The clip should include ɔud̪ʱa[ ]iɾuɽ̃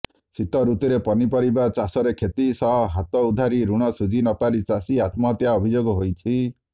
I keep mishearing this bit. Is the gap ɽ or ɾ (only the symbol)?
ɾ